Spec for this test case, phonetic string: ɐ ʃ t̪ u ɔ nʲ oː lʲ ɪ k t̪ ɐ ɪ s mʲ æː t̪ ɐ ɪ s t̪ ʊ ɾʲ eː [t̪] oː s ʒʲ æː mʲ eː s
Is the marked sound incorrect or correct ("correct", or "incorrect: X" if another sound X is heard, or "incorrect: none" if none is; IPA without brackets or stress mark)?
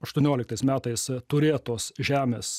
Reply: correct